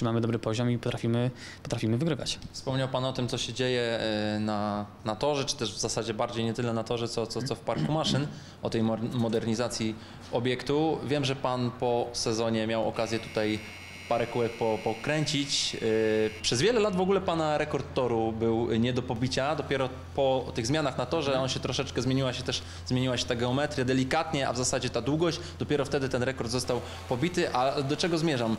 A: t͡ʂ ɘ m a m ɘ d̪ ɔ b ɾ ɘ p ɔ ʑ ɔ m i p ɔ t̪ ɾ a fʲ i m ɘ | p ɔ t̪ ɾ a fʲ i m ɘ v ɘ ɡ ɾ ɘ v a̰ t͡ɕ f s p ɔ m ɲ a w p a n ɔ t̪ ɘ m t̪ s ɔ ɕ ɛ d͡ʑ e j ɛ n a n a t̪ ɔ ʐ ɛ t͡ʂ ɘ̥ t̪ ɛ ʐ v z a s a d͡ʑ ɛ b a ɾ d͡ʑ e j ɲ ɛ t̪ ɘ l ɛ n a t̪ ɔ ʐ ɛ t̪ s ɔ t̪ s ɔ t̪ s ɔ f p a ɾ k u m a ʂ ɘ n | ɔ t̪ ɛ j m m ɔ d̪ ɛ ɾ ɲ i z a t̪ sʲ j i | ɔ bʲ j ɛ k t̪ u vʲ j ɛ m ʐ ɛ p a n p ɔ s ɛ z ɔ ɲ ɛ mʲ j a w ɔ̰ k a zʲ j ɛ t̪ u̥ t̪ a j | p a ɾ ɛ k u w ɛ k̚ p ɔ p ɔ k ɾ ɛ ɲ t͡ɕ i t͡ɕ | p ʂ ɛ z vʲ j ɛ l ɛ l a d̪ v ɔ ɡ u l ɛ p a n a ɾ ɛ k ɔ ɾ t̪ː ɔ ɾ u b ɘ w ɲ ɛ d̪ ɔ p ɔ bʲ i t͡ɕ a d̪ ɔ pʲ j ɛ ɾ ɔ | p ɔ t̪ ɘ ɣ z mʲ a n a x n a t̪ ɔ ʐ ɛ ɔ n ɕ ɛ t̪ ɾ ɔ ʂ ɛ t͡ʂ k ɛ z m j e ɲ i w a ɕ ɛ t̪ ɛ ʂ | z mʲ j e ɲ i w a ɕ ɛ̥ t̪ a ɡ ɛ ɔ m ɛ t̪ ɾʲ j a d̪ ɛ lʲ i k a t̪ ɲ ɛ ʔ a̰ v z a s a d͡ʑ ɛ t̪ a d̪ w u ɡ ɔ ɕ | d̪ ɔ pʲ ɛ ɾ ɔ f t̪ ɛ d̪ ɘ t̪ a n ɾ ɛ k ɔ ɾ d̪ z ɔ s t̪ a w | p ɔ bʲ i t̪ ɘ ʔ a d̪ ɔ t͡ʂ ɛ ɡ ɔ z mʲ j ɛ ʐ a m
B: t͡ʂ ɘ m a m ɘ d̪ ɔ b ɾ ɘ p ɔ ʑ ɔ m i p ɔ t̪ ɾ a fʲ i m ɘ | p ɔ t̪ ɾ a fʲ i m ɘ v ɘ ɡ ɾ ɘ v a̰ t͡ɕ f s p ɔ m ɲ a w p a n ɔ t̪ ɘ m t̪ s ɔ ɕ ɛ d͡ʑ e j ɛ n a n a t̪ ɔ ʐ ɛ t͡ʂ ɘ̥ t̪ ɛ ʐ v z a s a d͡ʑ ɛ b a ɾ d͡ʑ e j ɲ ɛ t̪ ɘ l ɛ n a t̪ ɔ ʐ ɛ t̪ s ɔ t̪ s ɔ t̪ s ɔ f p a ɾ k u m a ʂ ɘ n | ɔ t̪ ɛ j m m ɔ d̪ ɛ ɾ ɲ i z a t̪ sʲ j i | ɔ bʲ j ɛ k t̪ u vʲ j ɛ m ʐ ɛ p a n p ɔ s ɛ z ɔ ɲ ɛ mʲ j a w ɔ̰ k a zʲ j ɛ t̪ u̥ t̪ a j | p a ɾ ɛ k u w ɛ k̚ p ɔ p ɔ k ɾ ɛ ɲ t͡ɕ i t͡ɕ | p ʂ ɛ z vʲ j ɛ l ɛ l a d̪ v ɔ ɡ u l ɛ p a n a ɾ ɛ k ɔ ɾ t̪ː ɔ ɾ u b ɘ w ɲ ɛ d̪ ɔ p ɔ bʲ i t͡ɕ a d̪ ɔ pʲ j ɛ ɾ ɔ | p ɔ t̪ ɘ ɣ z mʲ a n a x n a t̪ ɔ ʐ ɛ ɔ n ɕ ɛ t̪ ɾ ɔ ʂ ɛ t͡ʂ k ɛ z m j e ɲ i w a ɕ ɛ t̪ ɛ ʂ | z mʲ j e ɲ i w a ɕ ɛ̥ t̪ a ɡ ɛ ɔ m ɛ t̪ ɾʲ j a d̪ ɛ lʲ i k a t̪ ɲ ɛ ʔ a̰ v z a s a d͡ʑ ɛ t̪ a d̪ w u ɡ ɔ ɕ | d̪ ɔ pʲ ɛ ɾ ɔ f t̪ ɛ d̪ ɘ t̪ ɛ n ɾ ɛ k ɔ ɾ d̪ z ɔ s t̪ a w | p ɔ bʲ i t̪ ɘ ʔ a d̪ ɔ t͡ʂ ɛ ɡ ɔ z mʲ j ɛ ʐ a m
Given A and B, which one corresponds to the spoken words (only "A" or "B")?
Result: B